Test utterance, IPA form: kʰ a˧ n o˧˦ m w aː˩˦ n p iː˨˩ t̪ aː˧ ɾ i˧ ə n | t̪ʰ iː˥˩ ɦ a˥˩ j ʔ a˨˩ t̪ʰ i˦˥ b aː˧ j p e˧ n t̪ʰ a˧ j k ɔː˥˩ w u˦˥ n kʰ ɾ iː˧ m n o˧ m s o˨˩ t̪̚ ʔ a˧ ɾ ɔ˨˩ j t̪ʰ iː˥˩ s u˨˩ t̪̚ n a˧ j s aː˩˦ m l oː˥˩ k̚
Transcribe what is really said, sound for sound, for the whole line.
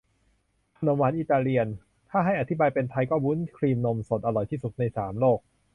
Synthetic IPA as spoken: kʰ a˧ n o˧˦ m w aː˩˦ n ʔ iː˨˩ t̪ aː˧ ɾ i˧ ə n | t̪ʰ aː˥˩ ɦ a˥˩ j ʔ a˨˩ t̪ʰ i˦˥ b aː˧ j p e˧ n t̪ʰ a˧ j k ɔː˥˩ w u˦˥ n kʰ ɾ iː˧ m n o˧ m s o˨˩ t̪̚ ʔ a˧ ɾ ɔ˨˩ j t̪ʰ iː˥˩ s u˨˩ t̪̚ n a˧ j s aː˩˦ m l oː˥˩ k̚